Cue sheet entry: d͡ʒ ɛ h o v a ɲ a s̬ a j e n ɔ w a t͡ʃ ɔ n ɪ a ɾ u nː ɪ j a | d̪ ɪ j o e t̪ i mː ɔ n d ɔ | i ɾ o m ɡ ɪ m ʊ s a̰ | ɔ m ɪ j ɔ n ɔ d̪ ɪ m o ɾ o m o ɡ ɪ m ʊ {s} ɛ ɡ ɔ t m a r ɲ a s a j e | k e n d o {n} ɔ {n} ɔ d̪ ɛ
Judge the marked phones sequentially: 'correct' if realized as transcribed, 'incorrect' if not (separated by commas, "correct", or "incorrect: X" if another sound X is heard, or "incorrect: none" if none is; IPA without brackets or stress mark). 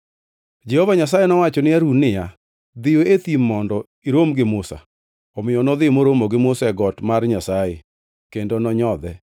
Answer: correct, correct, incorrect: ɲ